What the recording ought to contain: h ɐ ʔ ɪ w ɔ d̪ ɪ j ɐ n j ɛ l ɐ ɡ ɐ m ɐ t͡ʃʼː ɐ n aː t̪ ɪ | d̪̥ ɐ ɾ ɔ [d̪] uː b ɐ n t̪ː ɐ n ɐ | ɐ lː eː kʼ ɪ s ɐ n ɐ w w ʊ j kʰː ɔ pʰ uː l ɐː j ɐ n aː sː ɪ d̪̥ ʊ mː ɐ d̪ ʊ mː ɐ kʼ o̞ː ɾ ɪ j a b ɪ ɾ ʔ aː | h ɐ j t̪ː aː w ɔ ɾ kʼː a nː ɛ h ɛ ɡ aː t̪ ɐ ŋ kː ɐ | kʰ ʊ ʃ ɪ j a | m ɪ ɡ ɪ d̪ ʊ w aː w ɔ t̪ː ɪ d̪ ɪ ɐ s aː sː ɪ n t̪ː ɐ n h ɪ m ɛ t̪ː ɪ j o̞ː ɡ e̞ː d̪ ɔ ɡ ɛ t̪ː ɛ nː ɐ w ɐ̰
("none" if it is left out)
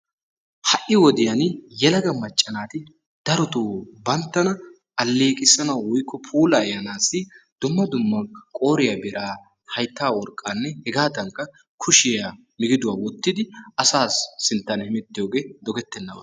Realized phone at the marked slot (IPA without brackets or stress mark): t̪